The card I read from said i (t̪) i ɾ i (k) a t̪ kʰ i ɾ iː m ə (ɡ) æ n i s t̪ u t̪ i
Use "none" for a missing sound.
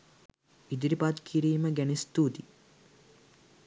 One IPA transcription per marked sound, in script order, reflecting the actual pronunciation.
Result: d̪, p, ɡ

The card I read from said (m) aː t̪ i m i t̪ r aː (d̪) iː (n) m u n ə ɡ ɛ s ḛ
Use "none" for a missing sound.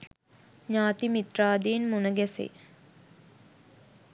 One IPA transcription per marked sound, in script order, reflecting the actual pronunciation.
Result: ɲ, d̪, n

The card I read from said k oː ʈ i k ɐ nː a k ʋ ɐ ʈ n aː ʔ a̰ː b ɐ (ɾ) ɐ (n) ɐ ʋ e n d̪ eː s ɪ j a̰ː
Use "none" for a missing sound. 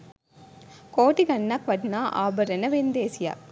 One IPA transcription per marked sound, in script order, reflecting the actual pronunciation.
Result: ɾ, n

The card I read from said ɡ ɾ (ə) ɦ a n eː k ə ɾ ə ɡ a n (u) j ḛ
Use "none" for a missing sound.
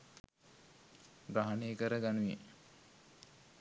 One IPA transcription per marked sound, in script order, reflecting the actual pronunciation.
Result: a, u

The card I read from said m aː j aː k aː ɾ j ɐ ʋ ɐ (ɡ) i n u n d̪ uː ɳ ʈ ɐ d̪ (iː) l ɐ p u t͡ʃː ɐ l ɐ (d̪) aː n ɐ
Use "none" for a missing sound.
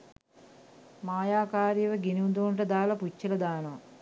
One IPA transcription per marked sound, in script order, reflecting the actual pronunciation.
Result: ɡ, aː, d̪

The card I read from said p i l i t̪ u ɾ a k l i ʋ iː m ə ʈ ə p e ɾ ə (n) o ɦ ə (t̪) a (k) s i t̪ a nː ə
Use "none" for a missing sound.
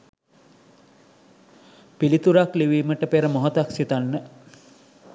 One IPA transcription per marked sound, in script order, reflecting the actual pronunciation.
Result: m, t̪, k

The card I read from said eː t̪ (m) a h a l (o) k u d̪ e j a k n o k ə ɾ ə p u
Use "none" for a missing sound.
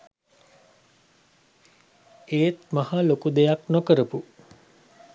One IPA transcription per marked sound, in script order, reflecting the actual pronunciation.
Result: m, o

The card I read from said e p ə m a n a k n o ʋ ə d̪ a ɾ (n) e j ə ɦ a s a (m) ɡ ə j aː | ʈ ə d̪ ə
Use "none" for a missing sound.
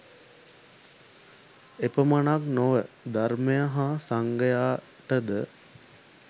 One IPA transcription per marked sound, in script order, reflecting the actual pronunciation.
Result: m, ŋ

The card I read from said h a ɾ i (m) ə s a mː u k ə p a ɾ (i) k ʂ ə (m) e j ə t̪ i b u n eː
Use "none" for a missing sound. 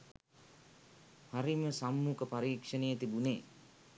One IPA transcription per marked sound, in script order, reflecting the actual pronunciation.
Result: m, iː, n

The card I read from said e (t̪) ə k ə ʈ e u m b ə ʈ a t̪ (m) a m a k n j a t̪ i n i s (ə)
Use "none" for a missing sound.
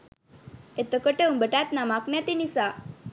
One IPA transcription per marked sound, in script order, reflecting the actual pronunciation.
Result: t̪, n, a

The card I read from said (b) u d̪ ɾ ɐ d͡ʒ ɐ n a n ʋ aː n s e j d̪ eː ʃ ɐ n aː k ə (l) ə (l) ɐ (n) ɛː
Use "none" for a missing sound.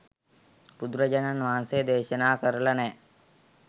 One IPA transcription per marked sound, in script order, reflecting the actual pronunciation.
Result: p, ɾ, l, n

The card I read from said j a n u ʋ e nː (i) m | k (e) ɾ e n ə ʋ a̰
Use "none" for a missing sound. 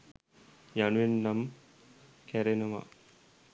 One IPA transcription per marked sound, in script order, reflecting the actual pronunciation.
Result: a, æ

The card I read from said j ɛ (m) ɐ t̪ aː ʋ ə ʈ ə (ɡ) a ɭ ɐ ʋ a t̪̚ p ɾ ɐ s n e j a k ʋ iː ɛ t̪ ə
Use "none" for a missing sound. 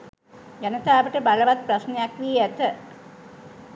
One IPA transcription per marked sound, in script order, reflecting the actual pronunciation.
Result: n, b

